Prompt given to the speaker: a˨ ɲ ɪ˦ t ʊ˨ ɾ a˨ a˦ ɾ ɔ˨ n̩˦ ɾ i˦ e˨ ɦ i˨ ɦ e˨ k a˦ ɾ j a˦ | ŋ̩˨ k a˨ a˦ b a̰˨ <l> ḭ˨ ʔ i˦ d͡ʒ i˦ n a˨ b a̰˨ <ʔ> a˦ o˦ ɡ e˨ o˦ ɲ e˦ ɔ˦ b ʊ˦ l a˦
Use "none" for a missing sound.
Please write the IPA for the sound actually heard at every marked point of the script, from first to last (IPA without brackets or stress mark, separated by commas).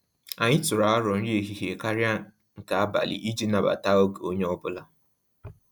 l, t